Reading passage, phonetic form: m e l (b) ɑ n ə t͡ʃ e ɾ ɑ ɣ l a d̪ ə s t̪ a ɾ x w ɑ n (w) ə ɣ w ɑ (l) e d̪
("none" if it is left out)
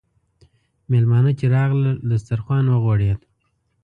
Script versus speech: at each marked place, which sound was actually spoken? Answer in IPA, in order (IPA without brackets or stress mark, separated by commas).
m, w, ɽ